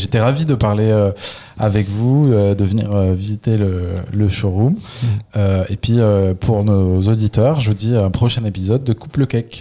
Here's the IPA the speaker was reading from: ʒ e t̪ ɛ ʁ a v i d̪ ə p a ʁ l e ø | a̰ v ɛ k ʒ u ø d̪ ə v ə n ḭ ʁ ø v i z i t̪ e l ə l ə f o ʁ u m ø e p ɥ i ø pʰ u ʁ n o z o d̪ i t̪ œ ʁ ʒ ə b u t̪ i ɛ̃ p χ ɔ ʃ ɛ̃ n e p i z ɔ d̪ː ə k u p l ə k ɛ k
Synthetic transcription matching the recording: ʒ e t̪ ɛ ʁ a v i d̪ ə p a ʁ l e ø | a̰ v ɛ k v u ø d̪ ə v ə n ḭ ʁ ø v i z i t̪ e l ə l ə ʃ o ʁ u m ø e p ɥ i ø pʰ u ʁ n o z o d̪ i t̪ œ ʁ ʒ ə v u d̪ i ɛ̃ p χ ɔ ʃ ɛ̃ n e p i z ɔ d̪ː ə k u p l ə k ɛ k